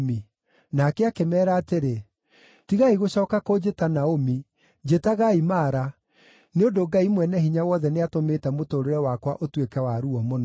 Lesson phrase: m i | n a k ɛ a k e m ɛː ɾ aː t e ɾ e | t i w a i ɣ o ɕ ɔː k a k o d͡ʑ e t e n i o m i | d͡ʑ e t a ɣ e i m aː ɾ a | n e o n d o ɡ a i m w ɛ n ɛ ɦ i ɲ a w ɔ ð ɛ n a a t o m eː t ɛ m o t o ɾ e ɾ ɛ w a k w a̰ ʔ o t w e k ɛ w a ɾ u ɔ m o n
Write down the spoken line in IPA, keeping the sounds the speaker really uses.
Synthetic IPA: m i | n a k ɛ a k e m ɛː ɾ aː t e ɾ e | t i ɣ a i ɣ o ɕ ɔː k a k o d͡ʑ e t a n a o m i | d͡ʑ e t a ɣ a i m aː ɾ a | n e o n d o ɡ a i m w ɛ n ɛ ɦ i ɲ a w ɔ ð ɛ n e a t o m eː t ɛ m o t o ɾ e ɾ ɛ w a k w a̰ ʔ o t w e k ɛ w a ɾ u ɔ m o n